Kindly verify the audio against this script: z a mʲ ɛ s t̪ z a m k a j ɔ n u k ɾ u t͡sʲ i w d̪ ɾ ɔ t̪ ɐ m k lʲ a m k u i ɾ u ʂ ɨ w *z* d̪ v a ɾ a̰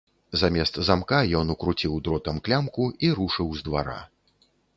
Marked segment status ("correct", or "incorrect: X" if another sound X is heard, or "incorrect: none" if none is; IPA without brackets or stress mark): correct